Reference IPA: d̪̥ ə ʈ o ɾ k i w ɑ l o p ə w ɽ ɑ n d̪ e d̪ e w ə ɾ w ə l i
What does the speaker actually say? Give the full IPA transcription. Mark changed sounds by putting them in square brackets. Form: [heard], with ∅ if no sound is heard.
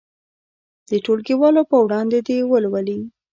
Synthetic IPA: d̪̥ ə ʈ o [l] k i w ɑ l o p ə w ɽ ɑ n d̪ e d̪ e w ə [l] w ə l i